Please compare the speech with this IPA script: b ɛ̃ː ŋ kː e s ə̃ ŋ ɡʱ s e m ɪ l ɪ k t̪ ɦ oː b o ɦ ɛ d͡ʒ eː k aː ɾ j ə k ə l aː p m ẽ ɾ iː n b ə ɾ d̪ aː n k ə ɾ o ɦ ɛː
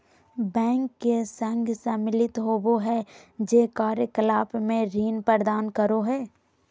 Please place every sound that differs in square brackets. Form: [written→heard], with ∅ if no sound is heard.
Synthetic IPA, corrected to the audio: b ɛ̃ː ŋ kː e s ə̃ ŋ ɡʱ s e m ɪ l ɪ [k→∅] t̪ ɦ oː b o ɦ ɛ d͡ʒ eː k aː ɾ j ə k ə l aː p m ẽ ɾ iː n [b→p] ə ɾ d̪ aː n k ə ɾ o ɦ ɛː